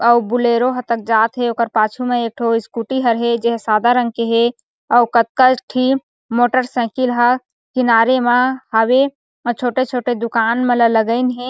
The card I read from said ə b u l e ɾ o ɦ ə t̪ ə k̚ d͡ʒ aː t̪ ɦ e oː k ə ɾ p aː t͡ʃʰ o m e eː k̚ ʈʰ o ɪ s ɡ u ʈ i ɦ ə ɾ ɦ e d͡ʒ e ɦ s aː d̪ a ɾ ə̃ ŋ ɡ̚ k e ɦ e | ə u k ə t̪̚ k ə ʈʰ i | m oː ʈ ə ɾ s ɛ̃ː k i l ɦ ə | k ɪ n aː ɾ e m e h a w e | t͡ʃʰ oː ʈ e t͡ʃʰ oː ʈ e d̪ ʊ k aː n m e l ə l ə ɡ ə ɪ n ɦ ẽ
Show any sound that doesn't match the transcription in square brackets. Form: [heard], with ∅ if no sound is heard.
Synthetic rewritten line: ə b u l e ɾ o ɦ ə t̪ ə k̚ d͡ʒ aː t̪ ɦ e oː k ə ɾ p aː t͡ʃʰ [u] m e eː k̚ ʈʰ o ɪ s [k] u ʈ i ɦ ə ɾ ɦ e d͡ʒ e ɦ s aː d̪ a ɾ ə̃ ŋ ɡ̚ k e ɦ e | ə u k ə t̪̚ k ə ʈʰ i | m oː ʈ ə ɾ s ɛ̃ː k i l ɦ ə | k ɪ n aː ɾ e m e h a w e | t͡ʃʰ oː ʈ e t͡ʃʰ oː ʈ e d̪ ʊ k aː n m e l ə l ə ɡ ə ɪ n ɦ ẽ